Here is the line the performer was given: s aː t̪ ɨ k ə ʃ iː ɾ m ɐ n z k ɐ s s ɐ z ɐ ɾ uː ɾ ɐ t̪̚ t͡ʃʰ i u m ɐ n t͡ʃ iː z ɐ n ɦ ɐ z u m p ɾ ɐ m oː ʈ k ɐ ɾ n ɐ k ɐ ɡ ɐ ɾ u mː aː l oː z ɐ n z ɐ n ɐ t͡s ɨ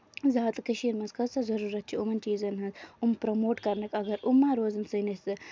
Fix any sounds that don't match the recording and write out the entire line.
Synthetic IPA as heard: z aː t̪ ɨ k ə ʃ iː ɾ m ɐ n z k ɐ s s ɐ z ɐ ɾ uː ɾ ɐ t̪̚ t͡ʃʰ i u m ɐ n t͡ʃ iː z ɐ n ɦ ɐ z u m p ɾ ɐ m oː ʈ k ɐ ɾ n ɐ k ɐ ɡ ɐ ɾ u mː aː ɾ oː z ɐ n s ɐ n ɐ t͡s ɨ